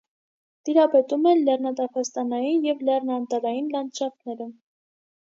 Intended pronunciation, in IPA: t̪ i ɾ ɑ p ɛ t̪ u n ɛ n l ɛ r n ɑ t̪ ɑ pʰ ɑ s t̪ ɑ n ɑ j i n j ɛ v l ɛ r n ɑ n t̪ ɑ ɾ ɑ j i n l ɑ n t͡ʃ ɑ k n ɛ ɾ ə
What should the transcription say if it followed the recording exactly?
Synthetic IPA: t̪ i ɾ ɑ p ɛ t̪ u m ɛ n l ɛ r n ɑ t̪ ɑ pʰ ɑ s t̪ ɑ n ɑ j i n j ɛ v l ɛ r n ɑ n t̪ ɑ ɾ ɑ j i n l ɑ n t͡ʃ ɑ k n ɛ ɾ ə